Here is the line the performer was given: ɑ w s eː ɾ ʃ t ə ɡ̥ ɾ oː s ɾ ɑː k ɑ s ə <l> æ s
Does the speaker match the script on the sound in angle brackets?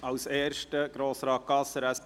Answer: no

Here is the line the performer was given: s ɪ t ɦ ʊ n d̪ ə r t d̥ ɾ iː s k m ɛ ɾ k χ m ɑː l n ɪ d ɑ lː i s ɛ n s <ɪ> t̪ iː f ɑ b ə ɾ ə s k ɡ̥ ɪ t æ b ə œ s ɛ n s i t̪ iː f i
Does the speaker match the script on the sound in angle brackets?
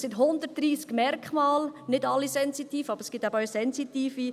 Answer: no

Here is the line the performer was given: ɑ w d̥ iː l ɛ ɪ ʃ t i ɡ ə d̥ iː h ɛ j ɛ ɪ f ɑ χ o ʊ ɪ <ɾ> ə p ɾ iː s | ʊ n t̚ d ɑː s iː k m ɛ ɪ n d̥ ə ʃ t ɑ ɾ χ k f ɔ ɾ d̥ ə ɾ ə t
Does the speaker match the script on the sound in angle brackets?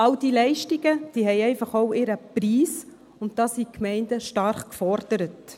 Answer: yes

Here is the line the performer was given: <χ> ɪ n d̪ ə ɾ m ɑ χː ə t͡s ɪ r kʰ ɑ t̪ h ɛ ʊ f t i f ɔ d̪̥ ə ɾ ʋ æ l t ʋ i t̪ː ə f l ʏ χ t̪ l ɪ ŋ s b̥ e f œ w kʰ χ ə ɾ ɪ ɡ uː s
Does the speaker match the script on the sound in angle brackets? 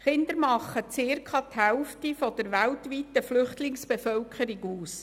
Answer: yes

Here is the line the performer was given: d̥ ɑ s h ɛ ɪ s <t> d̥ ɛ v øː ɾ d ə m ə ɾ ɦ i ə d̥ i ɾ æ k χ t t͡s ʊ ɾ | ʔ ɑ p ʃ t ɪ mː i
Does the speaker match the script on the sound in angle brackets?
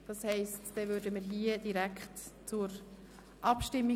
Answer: yes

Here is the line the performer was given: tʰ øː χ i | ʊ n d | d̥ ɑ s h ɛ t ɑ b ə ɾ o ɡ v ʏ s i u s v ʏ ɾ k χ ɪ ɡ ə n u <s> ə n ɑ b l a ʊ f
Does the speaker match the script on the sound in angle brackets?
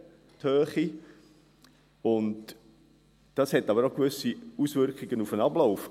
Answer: no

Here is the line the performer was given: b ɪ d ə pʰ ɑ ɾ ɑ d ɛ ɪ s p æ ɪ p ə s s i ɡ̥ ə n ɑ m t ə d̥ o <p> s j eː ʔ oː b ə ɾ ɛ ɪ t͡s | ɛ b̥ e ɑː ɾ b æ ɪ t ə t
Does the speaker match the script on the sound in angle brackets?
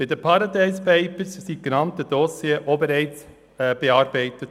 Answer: no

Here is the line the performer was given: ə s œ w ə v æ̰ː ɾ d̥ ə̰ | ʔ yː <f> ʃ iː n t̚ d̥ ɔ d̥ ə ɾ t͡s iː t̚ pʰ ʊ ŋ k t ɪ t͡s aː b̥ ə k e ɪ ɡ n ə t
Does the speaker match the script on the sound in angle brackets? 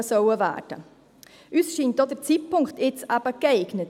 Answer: no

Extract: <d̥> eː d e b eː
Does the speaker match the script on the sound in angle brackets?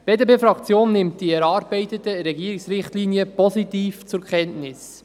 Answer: no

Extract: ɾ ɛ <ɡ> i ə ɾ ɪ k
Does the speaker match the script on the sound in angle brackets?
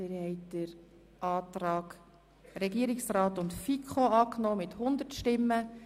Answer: yes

